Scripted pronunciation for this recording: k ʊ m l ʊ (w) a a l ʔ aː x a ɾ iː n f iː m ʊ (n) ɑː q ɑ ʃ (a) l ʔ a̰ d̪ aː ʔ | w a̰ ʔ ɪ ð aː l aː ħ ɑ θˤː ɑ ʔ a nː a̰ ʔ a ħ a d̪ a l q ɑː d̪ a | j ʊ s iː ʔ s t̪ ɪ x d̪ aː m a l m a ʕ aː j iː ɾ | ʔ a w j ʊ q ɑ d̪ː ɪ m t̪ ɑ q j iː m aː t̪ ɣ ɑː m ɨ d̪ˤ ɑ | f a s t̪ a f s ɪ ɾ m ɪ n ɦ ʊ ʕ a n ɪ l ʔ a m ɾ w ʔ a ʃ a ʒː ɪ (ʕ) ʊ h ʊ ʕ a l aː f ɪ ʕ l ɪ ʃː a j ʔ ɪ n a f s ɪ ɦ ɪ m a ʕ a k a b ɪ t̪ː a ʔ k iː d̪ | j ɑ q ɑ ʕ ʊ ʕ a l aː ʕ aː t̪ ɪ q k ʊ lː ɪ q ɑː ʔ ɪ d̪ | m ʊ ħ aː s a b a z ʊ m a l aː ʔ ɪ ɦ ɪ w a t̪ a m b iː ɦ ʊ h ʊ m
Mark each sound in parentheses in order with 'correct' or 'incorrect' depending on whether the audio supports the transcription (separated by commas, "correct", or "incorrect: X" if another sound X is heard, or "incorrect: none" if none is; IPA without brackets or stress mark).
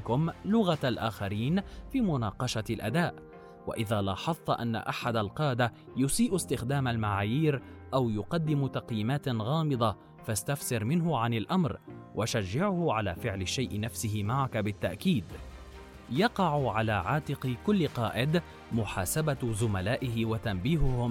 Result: incorrect: ɣ, correct, correct, correct